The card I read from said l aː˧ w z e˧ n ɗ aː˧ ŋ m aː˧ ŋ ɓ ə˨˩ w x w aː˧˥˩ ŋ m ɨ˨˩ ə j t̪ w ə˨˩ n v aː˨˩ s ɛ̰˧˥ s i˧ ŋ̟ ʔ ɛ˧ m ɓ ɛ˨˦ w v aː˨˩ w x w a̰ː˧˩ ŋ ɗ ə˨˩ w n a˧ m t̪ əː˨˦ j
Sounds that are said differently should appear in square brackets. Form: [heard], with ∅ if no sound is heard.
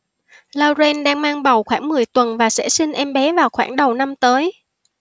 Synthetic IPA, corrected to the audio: l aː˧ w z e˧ n ɗ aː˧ ŋ m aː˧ ŋ ɓ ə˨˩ w x w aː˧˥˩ ŋ m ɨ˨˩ ə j t̪ w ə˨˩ n v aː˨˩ s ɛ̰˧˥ s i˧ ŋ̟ ʔ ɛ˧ m ɓ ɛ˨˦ [∅] v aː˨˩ w x w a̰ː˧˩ ŋ ɗ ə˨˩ w n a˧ m t̪ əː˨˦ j